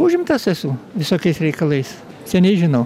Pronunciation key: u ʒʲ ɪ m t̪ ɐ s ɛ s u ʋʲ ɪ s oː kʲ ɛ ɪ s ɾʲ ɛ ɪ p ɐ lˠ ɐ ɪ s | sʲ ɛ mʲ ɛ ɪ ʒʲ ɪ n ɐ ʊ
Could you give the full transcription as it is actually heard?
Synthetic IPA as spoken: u ʒʲ ɪ m t̪ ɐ s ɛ s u ʋʲ ɪ s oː kʲ ɛ ɪ s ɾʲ ɛ ɪ k ɐ lˠ ɐ ɪ s | sʲ ɛ nʲ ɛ ɪ ʒʲ ɪ n ɐ ʊ